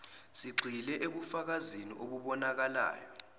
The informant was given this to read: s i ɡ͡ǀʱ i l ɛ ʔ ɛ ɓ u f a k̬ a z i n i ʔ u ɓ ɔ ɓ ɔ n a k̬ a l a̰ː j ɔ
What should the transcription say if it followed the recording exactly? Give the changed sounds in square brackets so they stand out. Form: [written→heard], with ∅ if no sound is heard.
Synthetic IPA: s i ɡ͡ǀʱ i l ɛ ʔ [ɛ→e] ɓ u f a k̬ a z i n i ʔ [u→o] ɓ [ɔ→u] ɓ ɔ n a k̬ a l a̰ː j ɔ